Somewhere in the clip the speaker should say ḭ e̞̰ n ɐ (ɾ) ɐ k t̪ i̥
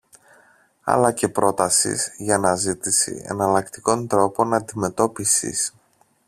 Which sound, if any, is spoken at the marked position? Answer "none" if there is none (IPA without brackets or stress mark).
l